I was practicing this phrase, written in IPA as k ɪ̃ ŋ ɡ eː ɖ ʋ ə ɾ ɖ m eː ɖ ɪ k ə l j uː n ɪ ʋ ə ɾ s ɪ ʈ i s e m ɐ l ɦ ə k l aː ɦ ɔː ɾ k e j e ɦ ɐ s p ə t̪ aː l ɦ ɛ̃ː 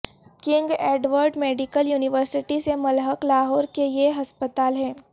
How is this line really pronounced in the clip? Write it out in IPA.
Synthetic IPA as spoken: k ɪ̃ ŋ ɡ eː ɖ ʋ ə ɾ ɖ m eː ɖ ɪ k ə l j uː n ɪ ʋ ə ɾ s ɪ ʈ i s e m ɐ l ɦ ə k l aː ɦ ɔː ɾ k e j e ɦ ɐ s p ə t̪ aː l ɦ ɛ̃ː